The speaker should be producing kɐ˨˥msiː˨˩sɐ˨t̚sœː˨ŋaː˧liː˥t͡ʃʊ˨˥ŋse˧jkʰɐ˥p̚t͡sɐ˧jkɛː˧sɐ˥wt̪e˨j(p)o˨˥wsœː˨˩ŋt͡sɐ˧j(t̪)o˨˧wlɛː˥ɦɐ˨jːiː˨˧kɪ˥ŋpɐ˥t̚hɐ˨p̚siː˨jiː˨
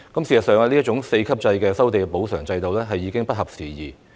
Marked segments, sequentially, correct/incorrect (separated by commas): correct, correct